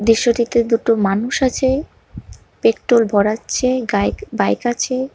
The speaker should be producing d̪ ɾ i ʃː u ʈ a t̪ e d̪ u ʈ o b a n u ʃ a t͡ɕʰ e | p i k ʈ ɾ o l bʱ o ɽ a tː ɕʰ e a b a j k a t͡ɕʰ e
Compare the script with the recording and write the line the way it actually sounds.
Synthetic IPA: d̪ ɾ i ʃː o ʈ i t̪ e d̪ u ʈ o m a n u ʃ a t͡ɕʰ e | p e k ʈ ɾ o l bʱ ɔ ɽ a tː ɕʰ e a b a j k a t͡ɕʰ e